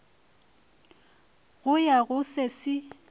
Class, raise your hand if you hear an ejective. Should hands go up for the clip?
no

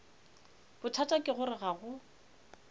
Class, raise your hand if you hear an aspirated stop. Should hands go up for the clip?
yes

